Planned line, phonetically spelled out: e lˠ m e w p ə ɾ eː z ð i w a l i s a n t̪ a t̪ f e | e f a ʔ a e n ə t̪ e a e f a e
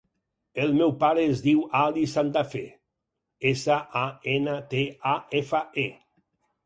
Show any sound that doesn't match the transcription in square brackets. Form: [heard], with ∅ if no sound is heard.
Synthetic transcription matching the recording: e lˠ m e w p [a] ɾ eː z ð i w a l i s a n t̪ a [∅] f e | e [s] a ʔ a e n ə t̪ e a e f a e

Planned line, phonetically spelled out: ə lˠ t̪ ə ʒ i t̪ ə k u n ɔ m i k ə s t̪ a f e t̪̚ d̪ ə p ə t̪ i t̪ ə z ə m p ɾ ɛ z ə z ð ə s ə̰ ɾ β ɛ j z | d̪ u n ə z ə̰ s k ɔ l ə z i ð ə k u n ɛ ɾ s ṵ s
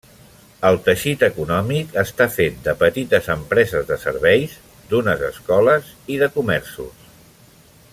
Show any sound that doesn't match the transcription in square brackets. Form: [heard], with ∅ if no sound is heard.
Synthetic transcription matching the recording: ə lˠ t̪ ə [ʃ] i t̪ ə k u n ɔ m i k ə s t̪ a f e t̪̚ d̪ ə p ə t̪ i t̪ ə z ə m p ɾ ɛ z ə z ð ə s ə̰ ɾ β ɛ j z | d̪ u n ə z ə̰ s k ɔ l ə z i ð ə k u [m] ɛ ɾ s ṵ s

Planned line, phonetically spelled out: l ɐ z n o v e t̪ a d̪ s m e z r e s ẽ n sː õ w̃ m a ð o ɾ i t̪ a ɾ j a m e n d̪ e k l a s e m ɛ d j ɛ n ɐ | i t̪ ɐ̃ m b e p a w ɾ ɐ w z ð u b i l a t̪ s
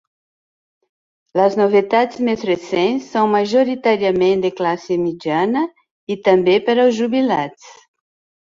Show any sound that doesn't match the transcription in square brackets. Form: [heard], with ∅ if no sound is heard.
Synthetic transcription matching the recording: l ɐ z n o v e t̪ a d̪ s m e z r e s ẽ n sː õ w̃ m a [ʒ] o ɾ i t̪ a ɾ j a m [ẽ] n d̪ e k l a s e m [i] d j [a] n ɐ | i t̪ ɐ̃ m b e p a [∅] ɾ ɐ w z [ʒ] u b i l a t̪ s

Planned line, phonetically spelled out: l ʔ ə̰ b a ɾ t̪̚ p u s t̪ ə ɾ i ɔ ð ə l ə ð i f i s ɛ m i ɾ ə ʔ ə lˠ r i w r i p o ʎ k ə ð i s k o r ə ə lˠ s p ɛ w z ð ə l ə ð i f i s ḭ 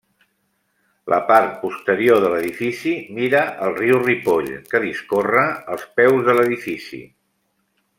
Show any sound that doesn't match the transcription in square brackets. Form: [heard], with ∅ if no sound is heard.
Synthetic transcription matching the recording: l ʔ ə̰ [p] a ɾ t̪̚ p u s t̪ ə ɾ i [o] ð ə l ə ð i f i s [i] m i ɾ ə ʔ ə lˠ r i w r i p o ʎ k ə ð i s k o r ə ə lˠ s p ɛ w z ð ə l ə ð i f i s ḭ

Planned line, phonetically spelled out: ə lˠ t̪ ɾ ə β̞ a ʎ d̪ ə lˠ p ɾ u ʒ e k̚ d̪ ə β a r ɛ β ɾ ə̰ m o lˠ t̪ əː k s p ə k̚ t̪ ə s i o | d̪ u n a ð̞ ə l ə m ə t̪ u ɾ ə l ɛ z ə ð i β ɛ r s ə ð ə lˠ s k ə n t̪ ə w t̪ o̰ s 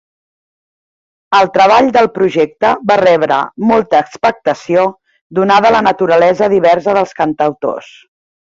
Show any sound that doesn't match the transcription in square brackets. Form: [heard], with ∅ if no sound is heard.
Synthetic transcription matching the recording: ə lˠ t̪ ɾ ə β̞ a ʎ d̪ ə lˠ p ɾ u ʒ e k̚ [t̪] ə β a r ɛ β ɾ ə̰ m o lˠ t̪ əː k s p ə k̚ t̪ ə s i o | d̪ u n a ð̞ ə l ə [n] ə t̪ u ɾ ə l ɛ z ə ð i β ɛ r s ə ð ə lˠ s k ə n t̪ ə w t̪ o̰ s

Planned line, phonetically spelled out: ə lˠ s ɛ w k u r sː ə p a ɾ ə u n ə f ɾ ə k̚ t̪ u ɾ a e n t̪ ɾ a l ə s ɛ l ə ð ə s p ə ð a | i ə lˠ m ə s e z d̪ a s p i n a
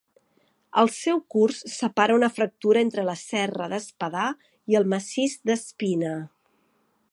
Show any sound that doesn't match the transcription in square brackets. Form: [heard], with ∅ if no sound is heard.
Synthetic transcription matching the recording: ə lˠ s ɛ w k u r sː ə p a ɾ ə u n ə f ɾ ə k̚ t̪ u ɾ [ə] e n t̪ ɾ [ə] l ə s ɛ [r] ə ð ə s p ə ð a | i ə lˠ m ə s [i] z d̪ [ə] s p i n [ə]

